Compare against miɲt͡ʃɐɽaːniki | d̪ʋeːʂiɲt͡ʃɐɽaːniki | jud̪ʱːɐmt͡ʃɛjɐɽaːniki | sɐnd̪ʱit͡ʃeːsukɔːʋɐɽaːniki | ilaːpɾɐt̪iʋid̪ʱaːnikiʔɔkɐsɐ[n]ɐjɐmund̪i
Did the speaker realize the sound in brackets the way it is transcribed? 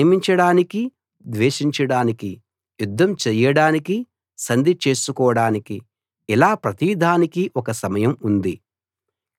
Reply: no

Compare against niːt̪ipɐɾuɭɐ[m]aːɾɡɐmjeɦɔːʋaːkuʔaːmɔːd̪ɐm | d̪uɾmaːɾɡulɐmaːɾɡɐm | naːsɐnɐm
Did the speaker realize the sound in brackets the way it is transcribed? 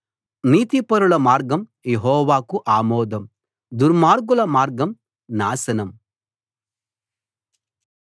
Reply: yes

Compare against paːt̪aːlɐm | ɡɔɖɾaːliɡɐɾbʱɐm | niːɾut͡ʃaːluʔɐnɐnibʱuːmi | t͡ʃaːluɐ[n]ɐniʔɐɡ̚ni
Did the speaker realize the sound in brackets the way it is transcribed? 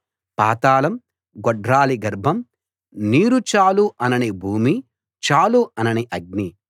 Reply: yes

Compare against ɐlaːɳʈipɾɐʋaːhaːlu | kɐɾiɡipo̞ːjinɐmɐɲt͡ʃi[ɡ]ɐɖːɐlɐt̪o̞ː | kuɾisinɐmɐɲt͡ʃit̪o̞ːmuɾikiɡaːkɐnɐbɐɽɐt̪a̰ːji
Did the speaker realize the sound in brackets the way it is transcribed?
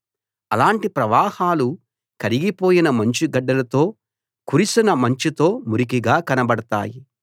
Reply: yes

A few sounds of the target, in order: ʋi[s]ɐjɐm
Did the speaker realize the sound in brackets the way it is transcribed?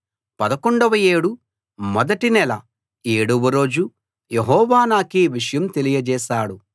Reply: no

